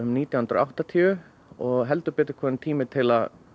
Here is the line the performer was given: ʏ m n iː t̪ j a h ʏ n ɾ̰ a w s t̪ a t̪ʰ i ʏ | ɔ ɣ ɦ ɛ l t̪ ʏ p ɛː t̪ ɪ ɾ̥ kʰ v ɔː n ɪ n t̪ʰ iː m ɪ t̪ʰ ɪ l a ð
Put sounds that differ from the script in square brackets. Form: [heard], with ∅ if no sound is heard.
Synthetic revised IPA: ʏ m n iː t̪ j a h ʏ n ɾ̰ a w [h] t̪ a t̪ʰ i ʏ | ɔ ɣ ɦ ɛ l t̪ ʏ p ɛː t̪ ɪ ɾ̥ kʰ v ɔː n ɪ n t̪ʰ iː m ɪ t̪ʰ ɪ l a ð